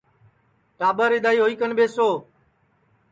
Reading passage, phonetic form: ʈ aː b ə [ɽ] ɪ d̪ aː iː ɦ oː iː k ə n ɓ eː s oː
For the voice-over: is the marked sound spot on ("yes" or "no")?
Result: no